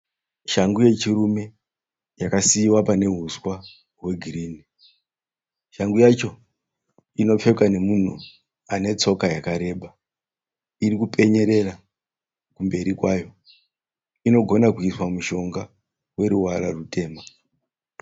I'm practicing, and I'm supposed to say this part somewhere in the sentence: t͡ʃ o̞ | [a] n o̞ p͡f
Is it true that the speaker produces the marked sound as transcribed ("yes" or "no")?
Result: no